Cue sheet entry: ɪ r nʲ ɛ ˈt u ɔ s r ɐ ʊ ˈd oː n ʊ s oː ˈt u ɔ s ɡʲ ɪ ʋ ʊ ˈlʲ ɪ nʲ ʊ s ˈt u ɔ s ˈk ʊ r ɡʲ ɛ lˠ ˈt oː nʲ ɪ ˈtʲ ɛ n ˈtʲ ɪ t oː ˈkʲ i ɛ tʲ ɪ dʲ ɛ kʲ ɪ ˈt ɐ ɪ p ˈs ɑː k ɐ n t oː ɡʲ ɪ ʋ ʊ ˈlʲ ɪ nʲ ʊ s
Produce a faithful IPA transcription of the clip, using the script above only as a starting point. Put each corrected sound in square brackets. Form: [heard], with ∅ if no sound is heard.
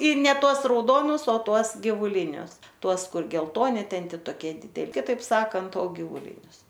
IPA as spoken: ɪ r nʲ ɛ ˈt u ɔ s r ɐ ʊ ˈd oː n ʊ s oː ˈt u ɔ s ɡʲ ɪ ʋ ʊ ˈlʲ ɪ nʲ ʊ s ˈt u ɔ s ˈk ʊ r ɡʲ ɛ lˠ ˈt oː nʲ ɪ ˈtʲ ɛ n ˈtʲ ɪ t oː ˈkʲ i ɛ [dʲ] ɪ dʲ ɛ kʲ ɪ ˈt ɐ ɪ p ˈs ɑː k ɐ n t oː ɡʲ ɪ ʋ ʊ ˈlʲ ɪ nʲ ʊ s